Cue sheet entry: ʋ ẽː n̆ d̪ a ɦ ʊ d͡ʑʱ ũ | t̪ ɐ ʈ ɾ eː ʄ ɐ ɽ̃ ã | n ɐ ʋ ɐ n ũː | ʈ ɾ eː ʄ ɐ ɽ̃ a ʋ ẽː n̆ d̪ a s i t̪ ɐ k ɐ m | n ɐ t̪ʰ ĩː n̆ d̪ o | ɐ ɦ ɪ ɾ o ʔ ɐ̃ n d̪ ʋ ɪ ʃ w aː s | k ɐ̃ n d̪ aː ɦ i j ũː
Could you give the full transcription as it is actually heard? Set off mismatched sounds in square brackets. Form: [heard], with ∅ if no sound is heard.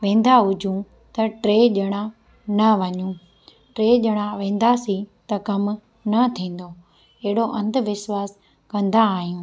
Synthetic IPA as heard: ʋ ẽː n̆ d̪ a ɦ ʊ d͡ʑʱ ũ | t̪ ɐ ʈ ɾ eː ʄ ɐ ɽ̃ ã | n ɐ ʋ ɐ [ɲ] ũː | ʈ ɾ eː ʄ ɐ ɽ̃ a ʋ ẽː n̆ d̪ a s i t̪ ɐ k ɐ m | n ɐ t̪ʰ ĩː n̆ d̪ o | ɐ ɦ ɪ [ɽ] o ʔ ɐ̃ n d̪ ʋ ɪ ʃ w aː s | k ɐ̃ n d̪ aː ɦ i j ũː